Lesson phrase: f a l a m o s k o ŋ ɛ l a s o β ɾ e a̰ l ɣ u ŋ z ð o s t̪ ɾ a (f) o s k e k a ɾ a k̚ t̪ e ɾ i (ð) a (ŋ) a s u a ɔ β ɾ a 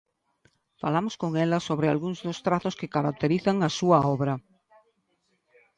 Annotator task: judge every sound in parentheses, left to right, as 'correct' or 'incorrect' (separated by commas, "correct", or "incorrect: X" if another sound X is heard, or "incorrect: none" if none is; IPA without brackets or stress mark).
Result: incorrect: θ, incorrect: θ, correct